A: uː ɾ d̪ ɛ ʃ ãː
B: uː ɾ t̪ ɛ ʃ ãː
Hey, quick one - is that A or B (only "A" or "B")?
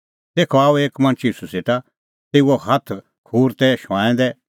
B